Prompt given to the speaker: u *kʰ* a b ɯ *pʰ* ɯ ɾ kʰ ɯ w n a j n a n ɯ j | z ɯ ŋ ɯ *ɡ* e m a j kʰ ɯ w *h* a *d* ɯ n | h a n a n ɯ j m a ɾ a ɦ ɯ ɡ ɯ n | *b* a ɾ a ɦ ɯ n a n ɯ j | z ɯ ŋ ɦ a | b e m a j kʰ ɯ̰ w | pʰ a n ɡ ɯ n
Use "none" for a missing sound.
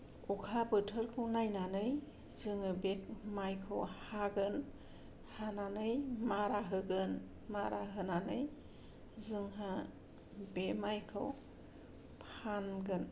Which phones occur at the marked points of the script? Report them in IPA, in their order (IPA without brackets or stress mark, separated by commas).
kʰ, tʰ, b, h, ɡ, m